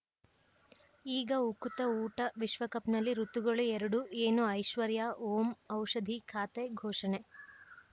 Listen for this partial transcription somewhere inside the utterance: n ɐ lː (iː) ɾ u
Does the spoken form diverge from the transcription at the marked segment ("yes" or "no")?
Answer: yes